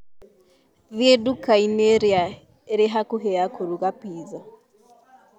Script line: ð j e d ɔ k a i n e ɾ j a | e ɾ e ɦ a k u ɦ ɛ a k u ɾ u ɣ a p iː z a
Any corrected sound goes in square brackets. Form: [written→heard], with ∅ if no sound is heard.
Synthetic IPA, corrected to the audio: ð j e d [ɔ→u] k a i n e ɾ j a | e ɾ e ɦ a k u ɦ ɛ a k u ɾ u ɣ a p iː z a